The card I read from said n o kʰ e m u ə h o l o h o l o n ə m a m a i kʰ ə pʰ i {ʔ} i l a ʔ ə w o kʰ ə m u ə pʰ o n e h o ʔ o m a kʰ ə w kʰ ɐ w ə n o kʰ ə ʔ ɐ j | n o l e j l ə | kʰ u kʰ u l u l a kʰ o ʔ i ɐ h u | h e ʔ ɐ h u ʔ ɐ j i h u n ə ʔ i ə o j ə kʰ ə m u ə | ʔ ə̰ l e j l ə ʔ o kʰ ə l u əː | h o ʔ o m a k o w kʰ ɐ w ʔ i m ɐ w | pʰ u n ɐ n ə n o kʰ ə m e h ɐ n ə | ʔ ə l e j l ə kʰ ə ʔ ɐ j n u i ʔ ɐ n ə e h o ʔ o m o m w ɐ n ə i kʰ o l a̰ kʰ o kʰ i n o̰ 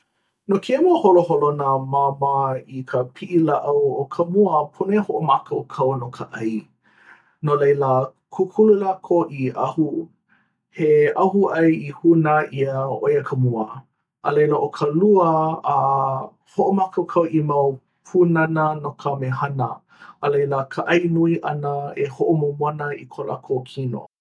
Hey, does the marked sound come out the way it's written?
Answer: yes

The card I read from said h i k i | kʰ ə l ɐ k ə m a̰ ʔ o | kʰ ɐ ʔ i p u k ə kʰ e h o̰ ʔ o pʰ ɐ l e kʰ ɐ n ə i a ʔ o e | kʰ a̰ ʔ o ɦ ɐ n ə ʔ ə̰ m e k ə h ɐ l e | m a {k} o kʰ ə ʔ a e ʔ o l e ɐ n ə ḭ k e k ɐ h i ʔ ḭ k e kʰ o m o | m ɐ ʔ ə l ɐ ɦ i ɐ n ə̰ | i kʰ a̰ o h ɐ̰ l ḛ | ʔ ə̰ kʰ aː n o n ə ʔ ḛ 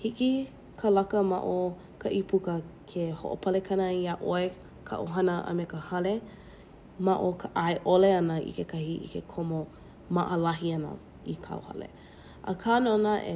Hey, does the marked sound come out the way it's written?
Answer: no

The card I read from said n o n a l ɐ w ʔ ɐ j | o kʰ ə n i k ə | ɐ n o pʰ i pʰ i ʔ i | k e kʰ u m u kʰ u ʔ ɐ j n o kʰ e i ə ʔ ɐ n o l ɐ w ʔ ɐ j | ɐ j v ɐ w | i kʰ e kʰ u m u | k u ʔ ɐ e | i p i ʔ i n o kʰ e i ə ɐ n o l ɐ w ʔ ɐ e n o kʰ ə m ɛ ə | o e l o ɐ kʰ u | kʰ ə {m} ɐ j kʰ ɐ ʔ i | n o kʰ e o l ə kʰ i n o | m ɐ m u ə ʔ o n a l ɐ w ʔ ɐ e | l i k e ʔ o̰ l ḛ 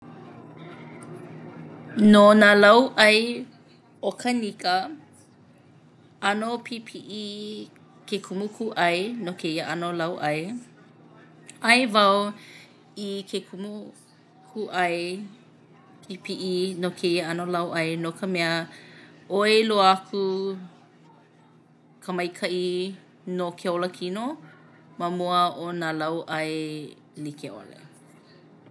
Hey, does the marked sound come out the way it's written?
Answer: yes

